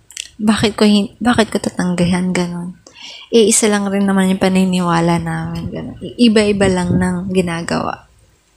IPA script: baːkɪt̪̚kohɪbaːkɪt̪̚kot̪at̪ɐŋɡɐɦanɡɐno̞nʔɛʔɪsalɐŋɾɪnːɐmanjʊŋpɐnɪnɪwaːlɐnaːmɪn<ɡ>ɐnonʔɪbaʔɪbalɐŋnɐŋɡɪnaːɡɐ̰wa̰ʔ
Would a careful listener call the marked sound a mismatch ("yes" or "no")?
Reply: no